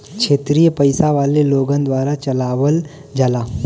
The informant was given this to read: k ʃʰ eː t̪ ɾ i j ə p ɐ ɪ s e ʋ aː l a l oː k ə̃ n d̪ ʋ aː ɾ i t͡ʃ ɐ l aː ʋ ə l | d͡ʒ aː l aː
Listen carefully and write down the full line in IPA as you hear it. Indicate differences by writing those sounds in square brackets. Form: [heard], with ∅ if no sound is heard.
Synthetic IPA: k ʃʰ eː t̪ ɾ i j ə p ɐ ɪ s [a] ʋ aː l [e] l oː [ɡ] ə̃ n d̪ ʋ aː ɾ [a] t͡ʃ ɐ l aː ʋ ə l | d͡ʒ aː l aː